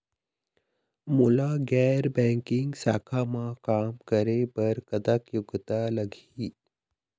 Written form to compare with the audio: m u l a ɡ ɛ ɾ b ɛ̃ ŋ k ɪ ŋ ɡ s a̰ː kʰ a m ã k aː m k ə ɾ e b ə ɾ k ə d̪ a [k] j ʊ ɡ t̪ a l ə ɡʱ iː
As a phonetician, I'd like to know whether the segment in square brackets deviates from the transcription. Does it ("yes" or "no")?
no